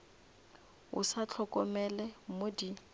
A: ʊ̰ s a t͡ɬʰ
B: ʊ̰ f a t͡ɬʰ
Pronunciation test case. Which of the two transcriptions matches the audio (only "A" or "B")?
A